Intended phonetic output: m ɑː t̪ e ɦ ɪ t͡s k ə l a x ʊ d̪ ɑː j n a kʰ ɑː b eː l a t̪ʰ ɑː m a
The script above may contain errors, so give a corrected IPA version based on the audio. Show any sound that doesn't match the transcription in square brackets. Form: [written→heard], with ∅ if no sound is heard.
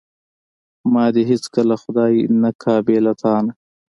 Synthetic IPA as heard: m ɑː [t̪→d̪] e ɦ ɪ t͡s k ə l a x ʊ d̪ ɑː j n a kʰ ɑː b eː l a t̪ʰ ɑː [m→n] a